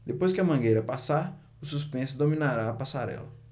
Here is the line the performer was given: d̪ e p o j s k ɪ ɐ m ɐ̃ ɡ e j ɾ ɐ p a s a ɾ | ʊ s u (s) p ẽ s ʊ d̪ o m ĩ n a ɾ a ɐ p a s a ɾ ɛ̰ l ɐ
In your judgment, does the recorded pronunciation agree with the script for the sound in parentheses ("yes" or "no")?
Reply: yes